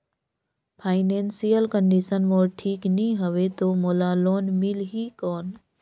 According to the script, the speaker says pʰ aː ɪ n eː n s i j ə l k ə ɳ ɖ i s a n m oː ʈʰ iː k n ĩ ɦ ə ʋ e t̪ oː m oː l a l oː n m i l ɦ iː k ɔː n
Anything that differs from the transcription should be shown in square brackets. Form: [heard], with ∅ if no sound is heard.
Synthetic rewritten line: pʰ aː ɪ n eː n s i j ə l k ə ɳ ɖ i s [ə] n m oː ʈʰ iː k n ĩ ɦ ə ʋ e t̪ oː m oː l a l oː n m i l ɦ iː k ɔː n